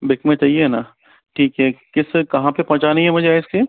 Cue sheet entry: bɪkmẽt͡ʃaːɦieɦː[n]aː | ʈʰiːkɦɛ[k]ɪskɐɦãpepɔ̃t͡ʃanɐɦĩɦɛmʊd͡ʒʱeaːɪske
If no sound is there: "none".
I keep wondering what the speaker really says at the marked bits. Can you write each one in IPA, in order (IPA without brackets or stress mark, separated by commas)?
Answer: n, k